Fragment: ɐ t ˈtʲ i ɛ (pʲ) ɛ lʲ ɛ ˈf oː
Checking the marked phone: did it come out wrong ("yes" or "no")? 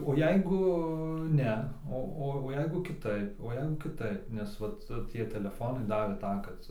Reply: yes